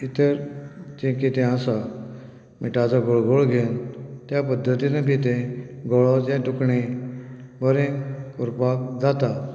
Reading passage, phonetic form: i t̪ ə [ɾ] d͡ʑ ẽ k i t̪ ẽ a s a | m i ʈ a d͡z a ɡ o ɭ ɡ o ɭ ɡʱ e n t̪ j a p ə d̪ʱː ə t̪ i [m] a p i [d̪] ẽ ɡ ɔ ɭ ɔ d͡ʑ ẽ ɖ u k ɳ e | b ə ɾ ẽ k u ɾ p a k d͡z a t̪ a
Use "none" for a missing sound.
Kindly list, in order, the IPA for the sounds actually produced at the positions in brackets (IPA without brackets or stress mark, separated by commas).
ɾ, n, t̪